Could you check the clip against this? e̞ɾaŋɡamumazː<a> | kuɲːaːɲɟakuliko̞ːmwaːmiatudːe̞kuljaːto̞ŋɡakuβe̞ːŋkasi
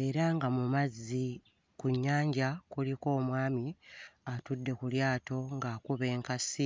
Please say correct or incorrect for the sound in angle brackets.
incorrect